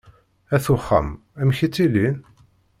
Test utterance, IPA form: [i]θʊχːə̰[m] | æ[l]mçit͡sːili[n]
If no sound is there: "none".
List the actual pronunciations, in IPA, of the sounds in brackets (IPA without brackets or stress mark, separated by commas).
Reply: æ, m, none, n